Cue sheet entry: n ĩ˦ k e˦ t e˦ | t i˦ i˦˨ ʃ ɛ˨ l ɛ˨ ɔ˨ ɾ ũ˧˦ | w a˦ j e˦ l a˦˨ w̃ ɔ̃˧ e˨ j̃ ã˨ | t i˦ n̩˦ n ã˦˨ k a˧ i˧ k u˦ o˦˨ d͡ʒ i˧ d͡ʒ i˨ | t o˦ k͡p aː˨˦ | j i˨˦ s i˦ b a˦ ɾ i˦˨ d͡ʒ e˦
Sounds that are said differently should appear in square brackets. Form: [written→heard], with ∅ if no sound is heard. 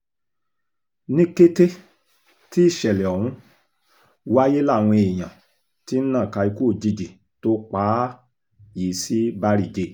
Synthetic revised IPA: n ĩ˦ k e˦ t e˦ | t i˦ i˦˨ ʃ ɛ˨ l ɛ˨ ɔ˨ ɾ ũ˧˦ | w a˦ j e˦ l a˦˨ w̃ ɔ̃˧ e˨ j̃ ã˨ | t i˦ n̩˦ n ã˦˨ k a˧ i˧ k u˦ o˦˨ d͡ʒ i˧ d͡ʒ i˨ | t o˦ k͡p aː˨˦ | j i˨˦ s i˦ b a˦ ɾ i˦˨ d͡ʒ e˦